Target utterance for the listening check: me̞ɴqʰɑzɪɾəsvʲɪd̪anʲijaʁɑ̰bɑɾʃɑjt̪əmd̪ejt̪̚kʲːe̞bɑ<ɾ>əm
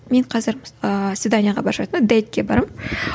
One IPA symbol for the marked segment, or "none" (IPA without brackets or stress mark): ɾ